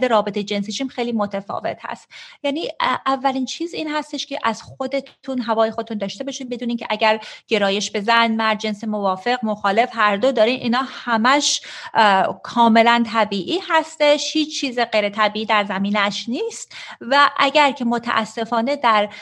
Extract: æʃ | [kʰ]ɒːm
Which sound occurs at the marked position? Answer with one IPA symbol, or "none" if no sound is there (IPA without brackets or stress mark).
kʰ